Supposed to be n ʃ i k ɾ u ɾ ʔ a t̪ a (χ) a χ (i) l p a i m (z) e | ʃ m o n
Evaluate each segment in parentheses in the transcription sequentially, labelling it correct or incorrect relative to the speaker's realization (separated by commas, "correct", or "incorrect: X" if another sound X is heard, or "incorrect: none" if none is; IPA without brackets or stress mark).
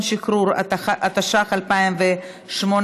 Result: incorrect: ʃ, incorrect: a, incorrect: v